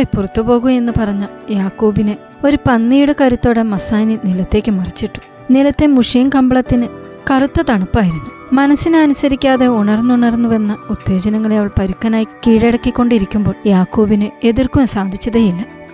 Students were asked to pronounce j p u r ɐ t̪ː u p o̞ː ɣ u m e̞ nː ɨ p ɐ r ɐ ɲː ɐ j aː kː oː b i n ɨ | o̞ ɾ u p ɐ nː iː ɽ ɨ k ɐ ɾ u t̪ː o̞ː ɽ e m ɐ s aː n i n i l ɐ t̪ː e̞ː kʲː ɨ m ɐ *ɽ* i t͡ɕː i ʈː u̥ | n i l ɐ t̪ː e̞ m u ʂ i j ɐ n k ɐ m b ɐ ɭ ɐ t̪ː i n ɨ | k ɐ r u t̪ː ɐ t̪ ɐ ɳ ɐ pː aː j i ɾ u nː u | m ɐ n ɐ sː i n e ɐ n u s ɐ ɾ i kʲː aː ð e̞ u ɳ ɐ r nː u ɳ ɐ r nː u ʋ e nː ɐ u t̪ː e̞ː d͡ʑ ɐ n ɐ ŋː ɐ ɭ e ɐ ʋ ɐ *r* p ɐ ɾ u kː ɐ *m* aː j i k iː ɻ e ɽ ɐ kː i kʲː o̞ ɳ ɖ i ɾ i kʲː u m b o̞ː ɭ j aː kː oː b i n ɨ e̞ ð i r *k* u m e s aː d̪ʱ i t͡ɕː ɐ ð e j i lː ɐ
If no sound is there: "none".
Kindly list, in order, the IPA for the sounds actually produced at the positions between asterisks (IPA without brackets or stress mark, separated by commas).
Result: r, ɭ, n, k